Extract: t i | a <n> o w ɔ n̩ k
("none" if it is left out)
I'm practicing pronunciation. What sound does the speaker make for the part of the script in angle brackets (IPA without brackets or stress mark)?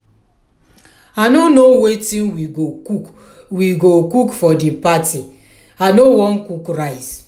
n